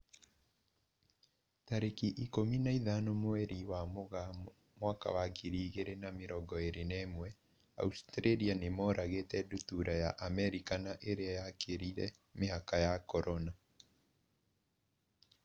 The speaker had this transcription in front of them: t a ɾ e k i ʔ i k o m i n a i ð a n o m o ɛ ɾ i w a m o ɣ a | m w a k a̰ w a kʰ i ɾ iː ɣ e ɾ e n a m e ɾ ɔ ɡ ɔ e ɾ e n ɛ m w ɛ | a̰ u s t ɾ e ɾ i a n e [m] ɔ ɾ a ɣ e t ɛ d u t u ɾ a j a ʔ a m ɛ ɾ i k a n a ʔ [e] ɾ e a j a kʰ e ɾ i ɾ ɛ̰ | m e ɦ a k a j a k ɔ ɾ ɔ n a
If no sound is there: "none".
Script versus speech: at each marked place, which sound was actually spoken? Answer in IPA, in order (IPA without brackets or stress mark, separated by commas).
m, e